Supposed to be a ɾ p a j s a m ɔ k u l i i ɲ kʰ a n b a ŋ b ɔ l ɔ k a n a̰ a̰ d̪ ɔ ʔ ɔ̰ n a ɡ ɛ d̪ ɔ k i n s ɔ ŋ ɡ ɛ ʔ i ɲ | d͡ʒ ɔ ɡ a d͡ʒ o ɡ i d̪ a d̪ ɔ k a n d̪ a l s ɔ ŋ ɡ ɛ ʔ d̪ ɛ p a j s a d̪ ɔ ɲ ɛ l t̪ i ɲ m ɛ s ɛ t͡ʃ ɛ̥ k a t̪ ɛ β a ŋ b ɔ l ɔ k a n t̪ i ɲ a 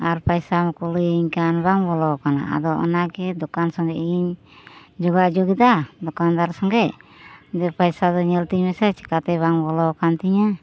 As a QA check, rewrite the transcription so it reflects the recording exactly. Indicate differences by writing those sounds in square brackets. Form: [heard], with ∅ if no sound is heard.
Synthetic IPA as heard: a ɾ p a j s a m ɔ k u l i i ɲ [k] a n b a ŋ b ɔ l ɔ k a n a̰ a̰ d̪ ɔ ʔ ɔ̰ n a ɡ ɛ d̪ ɔ k [a] n s ɔ ŋ ɡ ɛ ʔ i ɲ | d͡ʒ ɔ ɡ a d͡ʒ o ɡ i d̪ a d̪ ɔ k a n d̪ a [ɾ] s ɔ ŋ ɡ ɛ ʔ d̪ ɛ p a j s a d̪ ɔ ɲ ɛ l t̪ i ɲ m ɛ s ɛ t͡ʃ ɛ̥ k a t̪ ɛ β a ŋ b ɔ l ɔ k a n t̪ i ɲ a